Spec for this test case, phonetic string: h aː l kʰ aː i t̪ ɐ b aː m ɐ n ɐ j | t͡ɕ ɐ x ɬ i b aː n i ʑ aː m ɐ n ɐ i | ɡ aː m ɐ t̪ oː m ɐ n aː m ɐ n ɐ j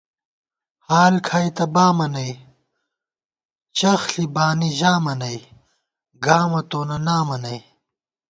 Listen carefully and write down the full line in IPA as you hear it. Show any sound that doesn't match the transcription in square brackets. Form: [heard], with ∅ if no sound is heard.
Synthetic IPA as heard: h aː l kʰ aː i t̪ ɐ b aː m ɐ n ɐ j | t͡ɕ ɐ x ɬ i b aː n i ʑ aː m ɐ n ɐ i | ɡ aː m ɐ t̪ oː [n] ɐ n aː m ɐ n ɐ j